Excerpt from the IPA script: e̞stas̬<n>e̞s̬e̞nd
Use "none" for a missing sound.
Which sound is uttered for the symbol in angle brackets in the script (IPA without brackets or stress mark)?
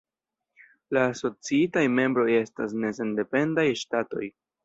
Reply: n